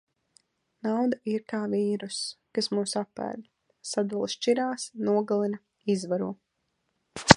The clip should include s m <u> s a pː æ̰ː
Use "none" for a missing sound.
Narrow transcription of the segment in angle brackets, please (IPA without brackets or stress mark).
uː